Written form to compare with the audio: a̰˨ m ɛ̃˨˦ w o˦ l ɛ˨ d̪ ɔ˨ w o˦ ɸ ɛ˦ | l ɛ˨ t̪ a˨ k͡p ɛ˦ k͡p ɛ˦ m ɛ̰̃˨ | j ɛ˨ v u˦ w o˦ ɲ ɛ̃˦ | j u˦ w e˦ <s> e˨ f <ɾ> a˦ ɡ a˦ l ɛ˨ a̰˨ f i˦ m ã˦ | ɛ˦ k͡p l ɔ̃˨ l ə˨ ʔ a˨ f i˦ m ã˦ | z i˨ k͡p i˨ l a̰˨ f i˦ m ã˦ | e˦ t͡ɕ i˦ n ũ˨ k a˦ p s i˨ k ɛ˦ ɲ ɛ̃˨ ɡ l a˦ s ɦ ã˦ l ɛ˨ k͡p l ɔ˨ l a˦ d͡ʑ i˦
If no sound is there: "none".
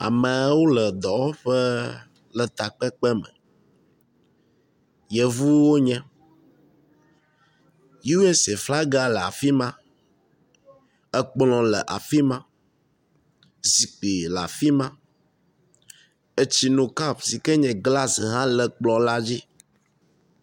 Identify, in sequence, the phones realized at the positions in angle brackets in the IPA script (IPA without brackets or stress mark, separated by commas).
s, l